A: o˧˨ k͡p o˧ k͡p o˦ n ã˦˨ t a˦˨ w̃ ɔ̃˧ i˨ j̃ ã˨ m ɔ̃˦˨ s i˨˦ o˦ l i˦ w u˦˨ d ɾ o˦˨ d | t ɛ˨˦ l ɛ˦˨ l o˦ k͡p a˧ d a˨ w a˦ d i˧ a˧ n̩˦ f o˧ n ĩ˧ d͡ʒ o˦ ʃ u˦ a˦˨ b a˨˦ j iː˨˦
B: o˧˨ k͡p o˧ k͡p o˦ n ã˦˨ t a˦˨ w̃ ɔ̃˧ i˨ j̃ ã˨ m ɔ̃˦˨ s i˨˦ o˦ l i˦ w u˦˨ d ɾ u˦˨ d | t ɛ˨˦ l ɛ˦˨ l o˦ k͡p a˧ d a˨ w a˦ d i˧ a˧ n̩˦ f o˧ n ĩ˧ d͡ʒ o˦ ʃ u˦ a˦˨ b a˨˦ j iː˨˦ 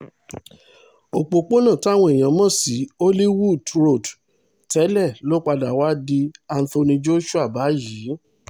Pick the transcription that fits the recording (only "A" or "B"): A